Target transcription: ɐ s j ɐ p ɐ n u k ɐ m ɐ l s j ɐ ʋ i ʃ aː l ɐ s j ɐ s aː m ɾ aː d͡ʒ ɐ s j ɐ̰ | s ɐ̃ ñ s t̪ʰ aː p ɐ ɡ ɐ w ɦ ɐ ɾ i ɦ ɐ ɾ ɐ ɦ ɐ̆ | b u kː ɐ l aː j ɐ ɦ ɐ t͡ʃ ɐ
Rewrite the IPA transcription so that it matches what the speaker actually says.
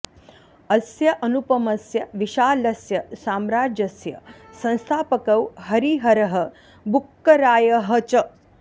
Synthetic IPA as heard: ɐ s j ɐ ʔ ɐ n u p ɐ m ɐ s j ɐ ʋ i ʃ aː l ɐ s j ɐ s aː m ɾ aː d͡ʒ ɐ s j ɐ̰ | s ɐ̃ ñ s t̪ʰ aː p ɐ k ɐ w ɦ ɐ ɾ i ɦ ɐ ɾ ɐ ɦ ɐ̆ | b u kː ɐ ɾ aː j ɐ ɦ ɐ t͡ʃ ɐ